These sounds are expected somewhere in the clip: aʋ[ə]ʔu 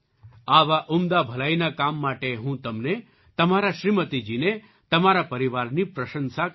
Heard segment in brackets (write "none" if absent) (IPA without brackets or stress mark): a